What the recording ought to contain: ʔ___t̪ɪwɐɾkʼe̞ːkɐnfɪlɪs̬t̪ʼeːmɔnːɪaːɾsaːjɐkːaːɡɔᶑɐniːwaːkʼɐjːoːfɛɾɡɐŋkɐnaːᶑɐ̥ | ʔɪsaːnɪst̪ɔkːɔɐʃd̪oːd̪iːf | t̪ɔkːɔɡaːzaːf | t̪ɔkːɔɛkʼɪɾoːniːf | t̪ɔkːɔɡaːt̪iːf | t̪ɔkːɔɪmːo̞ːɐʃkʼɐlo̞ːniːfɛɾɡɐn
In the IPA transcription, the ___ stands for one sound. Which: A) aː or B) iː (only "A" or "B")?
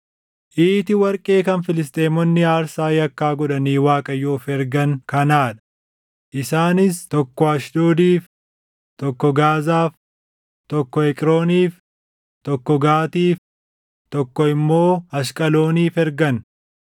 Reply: B